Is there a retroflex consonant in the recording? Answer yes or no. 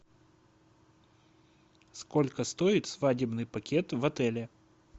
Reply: no